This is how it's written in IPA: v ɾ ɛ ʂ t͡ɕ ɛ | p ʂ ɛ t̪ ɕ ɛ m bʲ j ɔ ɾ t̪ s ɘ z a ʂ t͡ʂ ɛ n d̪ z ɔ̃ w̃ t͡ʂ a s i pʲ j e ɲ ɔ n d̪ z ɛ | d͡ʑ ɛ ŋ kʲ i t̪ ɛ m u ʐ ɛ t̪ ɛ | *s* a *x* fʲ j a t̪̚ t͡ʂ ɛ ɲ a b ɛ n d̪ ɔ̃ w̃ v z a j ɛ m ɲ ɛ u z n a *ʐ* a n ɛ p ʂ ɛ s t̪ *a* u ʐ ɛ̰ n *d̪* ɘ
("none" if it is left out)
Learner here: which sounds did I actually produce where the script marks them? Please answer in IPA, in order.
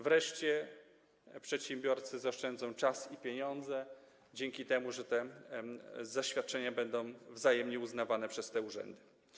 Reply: z, ɕ, v, ɛ, d̪

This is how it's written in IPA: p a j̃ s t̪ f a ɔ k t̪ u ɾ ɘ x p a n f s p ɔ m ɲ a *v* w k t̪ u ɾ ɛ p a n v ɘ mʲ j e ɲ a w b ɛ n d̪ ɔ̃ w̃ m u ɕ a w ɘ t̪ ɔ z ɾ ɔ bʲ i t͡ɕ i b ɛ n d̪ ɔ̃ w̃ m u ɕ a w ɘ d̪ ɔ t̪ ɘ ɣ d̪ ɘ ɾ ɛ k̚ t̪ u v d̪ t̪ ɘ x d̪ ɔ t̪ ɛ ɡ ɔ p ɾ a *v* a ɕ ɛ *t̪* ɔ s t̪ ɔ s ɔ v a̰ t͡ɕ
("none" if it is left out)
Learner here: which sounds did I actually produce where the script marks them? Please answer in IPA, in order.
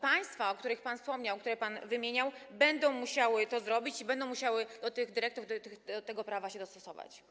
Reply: none, v, d̪

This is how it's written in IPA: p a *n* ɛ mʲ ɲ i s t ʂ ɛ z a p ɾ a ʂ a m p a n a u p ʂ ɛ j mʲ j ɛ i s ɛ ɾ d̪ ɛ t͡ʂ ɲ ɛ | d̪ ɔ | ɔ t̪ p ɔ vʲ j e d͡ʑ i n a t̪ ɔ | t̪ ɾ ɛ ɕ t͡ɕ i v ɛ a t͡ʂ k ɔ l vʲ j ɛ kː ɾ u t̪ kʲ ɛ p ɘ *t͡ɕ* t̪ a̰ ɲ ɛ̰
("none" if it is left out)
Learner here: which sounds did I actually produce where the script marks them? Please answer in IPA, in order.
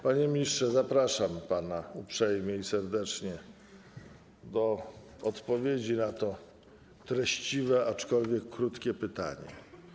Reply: ɲ, none

